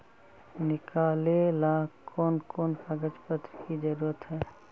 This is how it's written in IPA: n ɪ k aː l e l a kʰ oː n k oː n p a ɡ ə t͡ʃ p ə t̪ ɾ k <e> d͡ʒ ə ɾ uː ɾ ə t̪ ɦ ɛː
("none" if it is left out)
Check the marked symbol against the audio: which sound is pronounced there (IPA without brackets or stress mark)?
i